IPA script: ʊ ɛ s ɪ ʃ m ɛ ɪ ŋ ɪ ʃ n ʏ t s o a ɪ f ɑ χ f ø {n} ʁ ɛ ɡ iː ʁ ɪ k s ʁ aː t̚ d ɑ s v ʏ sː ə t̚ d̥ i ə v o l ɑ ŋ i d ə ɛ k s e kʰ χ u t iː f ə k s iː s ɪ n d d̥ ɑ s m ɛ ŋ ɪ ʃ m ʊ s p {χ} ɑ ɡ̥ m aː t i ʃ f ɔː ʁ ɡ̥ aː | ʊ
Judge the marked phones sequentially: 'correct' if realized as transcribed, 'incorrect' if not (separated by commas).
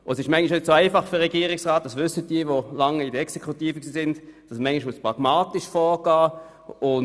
incorrect, incorrect